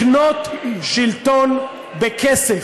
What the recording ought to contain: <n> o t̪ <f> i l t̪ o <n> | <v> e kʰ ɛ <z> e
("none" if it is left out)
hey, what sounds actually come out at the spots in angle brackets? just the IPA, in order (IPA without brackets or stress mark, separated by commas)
n, ʃ, n, b, s